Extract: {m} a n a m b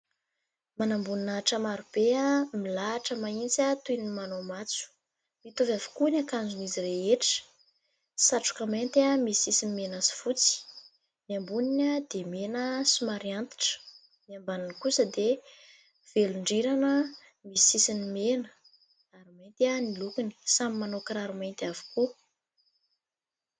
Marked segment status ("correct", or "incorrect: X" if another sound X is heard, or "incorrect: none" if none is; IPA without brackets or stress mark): correct